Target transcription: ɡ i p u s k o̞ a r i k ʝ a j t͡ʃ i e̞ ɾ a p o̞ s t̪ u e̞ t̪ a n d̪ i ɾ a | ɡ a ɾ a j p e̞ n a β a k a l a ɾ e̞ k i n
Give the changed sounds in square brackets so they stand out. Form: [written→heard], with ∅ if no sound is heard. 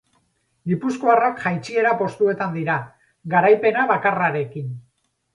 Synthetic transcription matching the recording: ɡ i p u s k o̞ a r [i→a] k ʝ a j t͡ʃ i e̞ ɾ a p o̞ s t̪ u e̞ t̪ a n d̪ i ɾ a | ɡ a ɾ a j p e̞ n a β a k a [l→r] a ɾ e̞ k i n